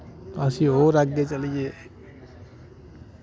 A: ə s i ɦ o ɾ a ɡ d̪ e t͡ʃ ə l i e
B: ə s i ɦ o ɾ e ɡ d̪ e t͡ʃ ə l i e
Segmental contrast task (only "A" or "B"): A